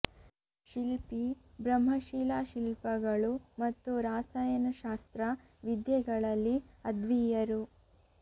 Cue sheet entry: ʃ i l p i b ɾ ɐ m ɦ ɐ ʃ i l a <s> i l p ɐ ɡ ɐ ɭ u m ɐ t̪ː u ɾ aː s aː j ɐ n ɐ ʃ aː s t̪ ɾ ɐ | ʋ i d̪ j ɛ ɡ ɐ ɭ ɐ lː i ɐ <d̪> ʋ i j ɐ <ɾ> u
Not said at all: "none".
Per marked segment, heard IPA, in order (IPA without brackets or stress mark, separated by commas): ʃ, d̪, ɾ